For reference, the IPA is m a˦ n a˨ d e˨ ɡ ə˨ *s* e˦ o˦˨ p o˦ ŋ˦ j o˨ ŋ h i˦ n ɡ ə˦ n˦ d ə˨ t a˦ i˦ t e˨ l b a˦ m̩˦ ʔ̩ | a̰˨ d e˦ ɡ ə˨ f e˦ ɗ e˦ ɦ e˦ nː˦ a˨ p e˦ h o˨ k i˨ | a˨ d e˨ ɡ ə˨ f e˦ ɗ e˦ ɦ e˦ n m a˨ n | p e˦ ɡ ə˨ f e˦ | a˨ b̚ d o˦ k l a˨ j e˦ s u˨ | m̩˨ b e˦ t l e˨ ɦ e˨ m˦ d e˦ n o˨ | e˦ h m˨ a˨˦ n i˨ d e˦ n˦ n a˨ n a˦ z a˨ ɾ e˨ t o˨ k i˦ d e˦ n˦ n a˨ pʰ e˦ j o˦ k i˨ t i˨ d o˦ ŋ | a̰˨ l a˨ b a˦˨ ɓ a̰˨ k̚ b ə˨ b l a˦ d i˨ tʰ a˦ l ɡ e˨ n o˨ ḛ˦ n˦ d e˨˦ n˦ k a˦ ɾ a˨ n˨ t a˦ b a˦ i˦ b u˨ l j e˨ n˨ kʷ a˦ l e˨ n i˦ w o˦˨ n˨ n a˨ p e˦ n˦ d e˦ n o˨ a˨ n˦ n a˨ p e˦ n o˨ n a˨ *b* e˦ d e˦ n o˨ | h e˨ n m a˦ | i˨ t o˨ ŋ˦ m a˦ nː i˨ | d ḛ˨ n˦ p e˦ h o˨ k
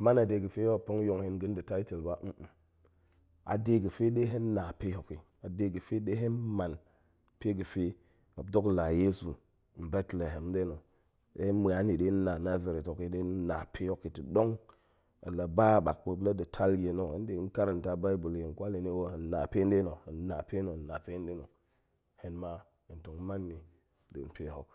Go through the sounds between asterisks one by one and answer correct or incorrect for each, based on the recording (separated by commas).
incorrect, incorrect